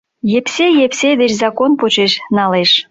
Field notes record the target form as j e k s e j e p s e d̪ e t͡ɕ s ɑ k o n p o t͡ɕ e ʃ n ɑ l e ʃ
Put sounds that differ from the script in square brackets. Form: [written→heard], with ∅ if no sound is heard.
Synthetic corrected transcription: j e [k→p] s e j e p s e d̪ e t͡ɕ [s→z] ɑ k o n p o t͡ɕ e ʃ n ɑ l e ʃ